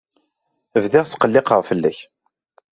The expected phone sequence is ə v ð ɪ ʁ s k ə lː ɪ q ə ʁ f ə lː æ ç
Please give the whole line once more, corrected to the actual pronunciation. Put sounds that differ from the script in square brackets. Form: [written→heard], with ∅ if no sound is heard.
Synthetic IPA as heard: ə v ð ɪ ʁ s [k→q] ə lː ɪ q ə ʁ f ə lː æ ç